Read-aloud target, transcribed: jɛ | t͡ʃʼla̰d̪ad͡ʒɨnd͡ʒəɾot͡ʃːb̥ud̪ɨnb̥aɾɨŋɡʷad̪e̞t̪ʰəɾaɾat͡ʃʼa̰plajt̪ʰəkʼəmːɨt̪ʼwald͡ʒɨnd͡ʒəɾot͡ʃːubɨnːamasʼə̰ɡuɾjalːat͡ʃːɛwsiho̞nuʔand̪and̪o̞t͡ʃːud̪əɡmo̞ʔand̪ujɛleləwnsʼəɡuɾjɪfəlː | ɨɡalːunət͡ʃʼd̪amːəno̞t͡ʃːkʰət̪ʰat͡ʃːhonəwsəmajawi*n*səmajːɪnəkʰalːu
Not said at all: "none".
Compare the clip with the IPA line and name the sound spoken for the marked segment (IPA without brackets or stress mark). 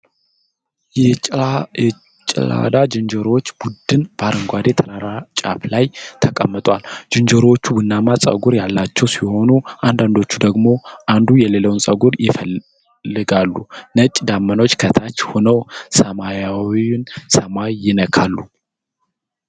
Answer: n